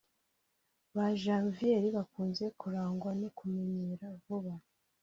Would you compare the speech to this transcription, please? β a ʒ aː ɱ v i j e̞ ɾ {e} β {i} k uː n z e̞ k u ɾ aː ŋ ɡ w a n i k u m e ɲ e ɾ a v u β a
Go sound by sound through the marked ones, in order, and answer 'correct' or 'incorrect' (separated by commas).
incorrect, incorrect